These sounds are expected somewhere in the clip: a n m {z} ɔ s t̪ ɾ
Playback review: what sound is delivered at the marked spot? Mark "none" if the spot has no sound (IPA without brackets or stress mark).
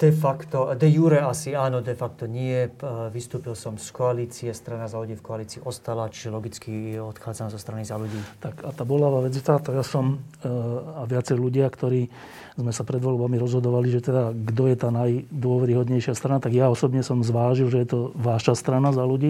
z